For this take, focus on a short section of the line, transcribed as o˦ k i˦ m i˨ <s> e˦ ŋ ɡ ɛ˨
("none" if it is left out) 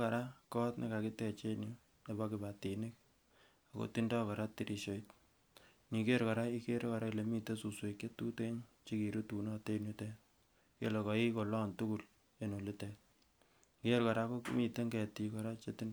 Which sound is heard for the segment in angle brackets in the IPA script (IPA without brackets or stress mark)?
t